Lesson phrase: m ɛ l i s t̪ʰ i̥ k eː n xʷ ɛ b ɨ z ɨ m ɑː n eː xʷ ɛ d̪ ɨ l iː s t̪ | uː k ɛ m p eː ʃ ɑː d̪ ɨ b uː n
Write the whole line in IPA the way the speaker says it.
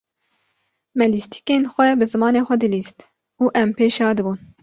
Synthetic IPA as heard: m ɛ l i s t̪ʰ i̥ k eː n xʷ ɛ b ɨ z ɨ m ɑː n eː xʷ ɛ d̪ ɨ l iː s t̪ | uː ʔ ɛ m p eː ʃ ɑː d̪ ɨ b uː n